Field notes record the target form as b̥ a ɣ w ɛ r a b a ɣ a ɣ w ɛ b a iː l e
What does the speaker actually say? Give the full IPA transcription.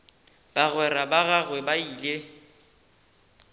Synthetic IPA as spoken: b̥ a ɣ w ɛ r a b a ɣ a ɣ w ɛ b a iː l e

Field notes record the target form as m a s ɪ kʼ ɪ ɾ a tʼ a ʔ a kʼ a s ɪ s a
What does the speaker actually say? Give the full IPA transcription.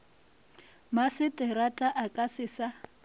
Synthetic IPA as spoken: m a s ɪ tʼ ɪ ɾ a tʼ a ʔ a kʼ a s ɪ s a

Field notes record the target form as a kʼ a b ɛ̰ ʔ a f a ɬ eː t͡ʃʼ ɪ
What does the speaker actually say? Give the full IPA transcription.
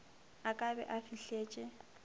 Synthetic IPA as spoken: a kʼ a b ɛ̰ ʔ a f i ɬ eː t͡ʃʼ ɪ

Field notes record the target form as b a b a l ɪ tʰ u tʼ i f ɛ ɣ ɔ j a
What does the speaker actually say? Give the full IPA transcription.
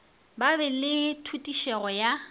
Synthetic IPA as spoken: b a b ɛ l ɪ tʰ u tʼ i ʃ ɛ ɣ ɔ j a

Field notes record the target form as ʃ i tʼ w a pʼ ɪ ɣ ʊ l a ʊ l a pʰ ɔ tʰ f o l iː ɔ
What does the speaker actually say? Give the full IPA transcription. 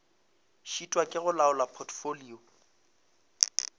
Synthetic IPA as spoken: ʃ i tʼ w a kʼ ɪ ɣ ʊ l a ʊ l a pʰ ɔ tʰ f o l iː ɔ

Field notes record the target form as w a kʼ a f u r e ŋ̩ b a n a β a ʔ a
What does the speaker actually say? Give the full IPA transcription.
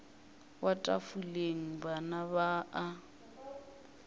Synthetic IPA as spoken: w a tʼ a f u l e ŋ̩ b a n a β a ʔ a

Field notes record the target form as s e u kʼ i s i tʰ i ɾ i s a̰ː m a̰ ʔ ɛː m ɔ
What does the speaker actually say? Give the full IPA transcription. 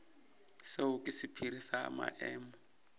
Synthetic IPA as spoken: s e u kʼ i s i pʰ i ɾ i s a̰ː m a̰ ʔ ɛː m ɔ

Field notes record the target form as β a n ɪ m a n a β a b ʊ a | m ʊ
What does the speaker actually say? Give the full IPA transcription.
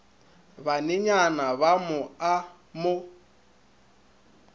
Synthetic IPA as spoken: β a n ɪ ɲ a n a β a m ʊ a | m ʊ

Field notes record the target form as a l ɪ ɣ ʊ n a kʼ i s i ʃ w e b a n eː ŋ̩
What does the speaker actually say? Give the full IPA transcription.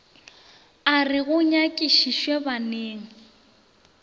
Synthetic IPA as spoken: a r ɪ ɣ ʊ ɲ a kʼ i ʃ i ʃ w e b a n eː ŋ̩

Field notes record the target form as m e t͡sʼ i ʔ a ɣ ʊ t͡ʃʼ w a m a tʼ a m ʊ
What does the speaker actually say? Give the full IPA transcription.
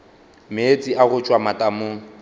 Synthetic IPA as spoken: m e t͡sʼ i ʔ a ɣ ʊ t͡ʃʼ w a m a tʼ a m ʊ

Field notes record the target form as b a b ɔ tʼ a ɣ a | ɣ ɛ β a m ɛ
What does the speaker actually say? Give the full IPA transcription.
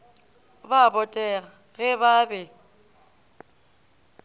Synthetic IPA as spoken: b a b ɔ tʼ ɛ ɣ a | ɣ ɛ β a b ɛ

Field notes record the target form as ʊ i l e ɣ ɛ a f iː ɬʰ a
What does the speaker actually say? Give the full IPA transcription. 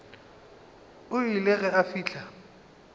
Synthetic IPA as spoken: ʊ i l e ɣ ɛ a f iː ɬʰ a

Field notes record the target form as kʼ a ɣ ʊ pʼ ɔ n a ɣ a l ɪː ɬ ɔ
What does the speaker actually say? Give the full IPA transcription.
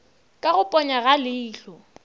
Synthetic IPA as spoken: kʼ a ɣ ʊ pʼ ɔ ɲ a ɣ a l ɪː ɬ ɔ

